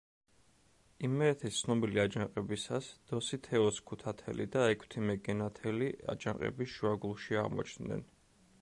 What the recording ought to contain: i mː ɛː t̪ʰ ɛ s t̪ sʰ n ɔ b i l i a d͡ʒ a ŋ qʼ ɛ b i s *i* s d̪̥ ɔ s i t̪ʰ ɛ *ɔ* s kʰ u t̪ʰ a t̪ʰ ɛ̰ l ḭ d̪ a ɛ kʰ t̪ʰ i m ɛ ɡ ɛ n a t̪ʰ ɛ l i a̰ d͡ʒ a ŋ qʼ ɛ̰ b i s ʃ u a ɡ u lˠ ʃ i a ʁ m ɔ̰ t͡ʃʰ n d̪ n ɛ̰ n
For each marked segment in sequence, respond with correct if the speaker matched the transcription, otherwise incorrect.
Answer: incorrect: a, correct

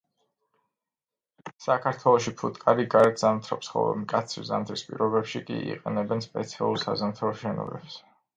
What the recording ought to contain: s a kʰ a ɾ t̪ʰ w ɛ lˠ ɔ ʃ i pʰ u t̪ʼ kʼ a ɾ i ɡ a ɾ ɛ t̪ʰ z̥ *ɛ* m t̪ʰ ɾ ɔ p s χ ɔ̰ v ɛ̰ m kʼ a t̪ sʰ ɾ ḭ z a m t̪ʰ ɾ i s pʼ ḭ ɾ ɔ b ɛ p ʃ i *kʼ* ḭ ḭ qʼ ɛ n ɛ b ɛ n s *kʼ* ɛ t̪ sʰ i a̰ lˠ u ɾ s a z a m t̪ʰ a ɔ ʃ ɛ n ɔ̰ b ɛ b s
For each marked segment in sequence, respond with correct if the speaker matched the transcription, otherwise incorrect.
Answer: incorrect: a, correct, incorrect: pʼ

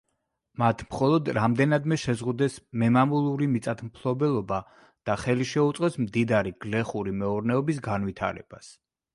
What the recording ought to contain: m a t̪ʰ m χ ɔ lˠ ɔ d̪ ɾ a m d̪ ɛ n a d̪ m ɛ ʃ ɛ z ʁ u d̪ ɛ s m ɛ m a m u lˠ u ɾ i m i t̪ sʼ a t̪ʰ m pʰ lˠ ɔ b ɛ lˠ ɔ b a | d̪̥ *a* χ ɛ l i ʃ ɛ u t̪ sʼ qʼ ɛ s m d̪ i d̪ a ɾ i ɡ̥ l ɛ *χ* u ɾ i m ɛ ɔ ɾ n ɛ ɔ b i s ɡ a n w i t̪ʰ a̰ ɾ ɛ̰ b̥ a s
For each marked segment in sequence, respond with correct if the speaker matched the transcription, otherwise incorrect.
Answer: correct, correct

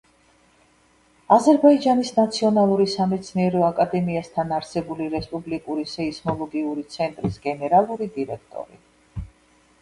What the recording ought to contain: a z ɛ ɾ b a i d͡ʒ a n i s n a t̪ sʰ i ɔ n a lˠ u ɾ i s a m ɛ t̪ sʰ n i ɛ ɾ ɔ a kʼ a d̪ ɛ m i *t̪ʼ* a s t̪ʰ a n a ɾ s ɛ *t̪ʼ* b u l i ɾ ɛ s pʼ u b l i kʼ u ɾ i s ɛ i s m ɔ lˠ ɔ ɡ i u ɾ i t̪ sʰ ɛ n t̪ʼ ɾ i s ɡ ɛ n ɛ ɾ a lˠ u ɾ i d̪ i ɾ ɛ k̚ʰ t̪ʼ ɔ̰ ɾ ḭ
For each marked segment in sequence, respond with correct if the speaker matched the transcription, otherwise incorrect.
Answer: incorrect: none, incorrect: none

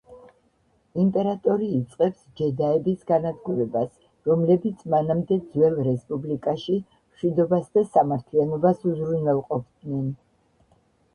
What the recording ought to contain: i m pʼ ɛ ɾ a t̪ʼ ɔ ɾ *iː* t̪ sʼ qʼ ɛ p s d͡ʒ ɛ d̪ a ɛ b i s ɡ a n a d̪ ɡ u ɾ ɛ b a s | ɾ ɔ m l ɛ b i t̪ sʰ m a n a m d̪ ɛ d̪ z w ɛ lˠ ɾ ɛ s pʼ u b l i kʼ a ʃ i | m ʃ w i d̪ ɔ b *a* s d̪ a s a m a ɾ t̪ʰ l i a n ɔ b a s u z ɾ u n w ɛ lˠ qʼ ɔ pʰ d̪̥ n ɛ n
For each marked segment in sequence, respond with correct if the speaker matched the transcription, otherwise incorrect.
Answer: correct, correct

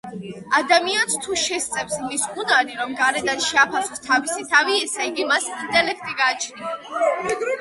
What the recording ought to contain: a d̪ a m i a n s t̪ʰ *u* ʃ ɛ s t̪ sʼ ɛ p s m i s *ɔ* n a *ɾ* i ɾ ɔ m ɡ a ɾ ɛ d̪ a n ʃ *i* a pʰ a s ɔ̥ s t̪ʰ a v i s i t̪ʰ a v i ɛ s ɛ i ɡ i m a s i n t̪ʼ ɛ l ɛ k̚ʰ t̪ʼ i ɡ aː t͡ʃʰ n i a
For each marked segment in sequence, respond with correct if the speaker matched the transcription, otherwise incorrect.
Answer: correct, incorrect: u, correct, incorrect: ɛ

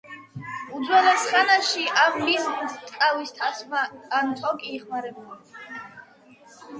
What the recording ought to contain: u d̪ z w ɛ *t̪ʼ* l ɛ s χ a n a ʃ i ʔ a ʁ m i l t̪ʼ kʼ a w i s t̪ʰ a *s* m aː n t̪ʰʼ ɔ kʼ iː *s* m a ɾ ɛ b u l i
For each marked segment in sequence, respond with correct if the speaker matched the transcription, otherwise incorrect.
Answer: incorrect: none, correct, incorrect: χ

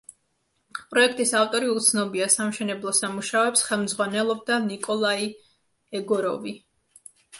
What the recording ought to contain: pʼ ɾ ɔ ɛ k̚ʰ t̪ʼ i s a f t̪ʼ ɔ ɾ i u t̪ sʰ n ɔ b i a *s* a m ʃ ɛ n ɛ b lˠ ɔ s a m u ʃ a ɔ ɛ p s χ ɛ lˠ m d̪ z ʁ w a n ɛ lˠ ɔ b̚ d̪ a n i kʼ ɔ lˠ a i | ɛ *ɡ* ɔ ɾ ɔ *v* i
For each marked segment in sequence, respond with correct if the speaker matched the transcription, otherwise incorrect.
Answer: correct, correct, correct

